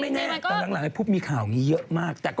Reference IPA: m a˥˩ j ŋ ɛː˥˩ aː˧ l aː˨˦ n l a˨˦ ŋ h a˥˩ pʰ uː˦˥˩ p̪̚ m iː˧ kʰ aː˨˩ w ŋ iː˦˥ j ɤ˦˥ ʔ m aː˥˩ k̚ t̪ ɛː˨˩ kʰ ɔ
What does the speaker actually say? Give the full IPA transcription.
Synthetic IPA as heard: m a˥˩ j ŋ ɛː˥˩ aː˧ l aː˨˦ ŋ l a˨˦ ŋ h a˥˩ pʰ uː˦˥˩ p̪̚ m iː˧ kʰ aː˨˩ w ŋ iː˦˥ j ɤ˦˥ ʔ m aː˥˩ k̚ t̪ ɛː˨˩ k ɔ